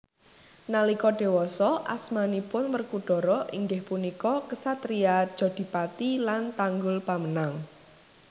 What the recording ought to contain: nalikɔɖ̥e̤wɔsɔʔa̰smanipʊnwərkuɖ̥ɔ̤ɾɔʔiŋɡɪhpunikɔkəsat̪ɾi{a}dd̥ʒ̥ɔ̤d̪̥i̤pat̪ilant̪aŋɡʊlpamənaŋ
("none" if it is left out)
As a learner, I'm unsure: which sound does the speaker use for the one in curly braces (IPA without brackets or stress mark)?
a